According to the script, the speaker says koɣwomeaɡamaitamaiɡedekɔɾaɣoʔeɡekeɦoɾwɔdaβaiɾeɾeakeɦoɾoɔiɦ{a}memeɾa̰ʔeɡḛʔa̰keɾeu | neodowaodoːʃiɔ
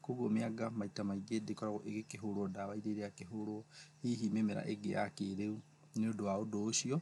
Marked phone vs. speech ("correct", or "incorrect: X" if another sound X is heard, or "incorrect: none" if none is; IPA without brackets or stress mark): incorrect: i